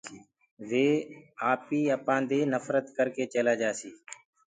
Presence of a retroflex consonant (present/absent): absent